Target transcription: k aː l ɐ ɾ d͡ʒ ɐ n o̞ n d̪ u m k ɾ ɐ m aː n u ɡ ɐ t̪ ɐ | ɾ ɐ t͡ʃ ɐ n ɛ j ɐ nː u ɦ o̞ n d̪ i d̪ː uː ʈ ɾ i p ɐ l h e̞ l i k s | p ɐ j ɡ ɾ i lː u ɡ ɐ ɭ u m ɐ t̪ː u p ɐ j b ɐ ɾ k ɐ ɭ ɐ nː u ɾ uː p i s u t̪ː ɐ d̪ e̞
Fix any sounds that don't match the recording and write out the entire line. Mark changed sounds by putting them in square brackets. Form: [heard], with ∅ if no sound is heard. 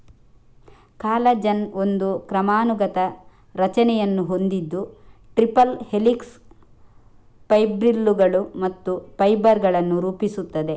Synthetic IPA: k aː l ɐ [∅] d͡ʒ ɐ n o̞ n d̪ u [∅] k ɾ ɐ m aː n u ɡ ɐ t̪ ɐ | ɾ ɐ t͡ʃ ɐ n ɛ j ɐ nː u ɦ o̞ n d̪ i d̪ː [u] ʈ ɾ i p ɐ l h e̞ l i k s | p ɐ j [b] ɾ i lː u ɡ ɐ ɭ u m ɐ t̪ː u p ɐ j b ɐ ɾ [ɡ] ɐ ɭ ɐ nː u ɾ uː p i s u t̪ː ɐ d̪ e̞